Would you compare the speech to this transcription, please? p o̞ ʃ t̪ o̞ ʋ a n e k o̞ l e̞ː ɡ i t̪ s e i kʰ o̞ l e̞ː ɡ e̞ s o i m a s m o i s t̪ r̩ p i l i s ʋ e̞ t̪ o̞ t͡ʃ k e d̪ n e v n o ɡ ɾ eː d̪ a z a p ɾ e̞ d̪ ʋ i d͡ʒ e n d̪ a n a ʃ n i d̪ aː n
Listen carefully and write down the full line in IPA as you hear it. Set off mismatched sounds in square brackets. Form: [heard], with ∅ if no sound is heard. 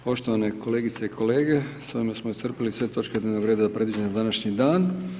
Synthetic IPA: p o̞ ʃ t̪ o̞ ʋ a n e k o̞ l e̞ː ɡ i t̪ s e i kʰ o̞ l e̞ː ɡ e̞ s o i m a s m o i s t̪ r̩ p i l i s ʋ e̞ t̪ o̞ t͡ʃ k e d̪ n e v n o ɡ ɾ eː d̪ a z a p ɾ e̞ d̪ ʋ i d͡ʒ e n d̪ a n a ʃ [ɲ] i d̪ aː n